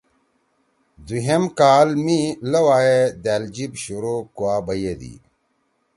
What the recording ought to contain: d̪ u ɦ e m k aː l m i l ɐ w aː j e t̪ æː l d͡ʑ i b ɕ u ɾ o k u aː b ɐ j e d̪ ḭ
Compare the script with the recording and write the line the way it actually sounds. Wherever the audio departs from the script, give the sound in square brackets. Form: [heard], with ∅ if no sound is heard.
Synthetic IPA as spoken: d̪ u ɦ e m k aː l m i l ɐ w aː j e [d̪] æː l d͡ʑ i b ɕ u ɾ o k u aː b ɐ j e d̪ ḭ